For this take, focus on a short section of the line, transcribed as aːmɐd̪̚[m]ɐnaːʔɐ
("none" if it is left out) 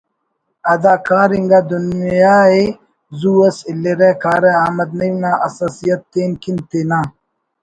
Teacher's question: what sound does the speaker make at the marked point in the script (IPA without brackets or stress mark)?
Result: n